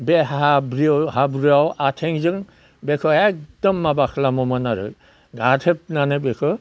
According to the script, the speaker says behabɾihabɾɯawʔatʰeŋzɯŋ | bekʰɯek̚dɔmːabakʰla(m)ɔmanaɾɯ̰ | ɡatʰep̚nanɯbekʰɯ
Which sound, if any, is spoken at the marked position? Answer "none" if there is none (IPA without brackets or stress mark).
m